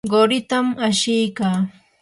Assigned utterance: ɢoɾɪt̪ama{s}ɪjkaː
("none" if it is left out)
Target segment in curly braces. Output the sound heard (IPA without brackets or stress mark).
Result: ʃ